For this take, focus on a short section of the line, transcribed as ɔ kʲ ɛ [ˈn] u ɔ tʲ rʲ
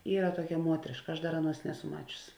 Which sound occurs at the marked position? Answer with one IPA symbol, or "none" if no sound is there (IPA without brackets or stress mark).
m